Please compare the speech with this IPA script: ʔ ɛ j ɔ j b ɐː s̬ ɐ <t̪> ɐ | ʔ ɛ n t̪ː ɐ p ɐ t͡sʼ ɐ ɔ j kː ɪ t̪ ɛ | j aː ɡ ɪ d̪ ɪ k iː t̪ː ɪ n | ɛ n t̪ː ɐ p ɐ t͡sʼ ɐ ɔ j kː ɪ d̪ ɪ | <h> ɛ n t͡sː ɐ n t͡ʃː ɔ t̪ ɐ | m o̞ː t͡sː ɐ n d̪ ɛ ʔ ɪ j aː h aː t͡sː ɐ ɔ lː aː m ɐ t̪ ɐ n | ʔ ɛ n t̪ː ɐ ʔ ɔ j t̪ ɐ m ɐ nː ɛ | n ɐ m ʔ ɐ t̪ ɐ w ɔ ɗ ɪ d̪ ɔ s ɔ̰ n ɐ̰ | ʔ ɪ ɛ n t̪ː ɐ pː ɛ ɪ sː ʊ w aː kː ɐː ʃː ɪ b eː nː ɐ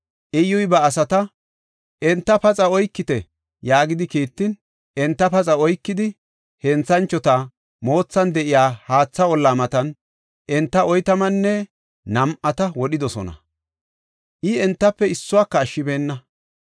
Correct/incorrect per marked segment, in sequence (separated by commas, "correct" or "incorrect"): correct, correct